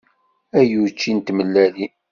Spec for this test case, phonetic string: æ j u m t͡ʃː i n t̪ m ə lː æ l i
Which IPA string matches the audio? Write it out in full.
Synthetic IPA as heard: æ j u t͡ʃː i n t̪ m ə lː æ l i